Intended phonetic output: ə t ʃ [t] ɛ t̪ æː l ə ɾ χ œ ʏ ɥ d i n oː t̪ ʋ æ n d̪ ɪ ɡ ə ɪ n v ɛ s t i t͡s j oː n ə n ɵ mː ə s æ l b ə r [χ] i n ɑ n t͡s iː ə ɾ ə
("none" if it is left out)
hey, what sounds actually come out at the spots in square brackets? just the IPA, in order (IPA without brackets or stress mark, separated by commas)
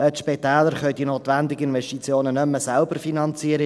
p, f